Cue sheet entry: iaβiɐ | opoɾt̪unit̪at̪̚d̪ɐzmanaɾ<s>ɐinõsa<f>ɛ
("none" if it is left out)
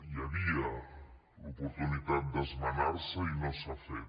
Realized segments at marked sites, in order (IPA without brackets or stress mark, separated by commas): s, f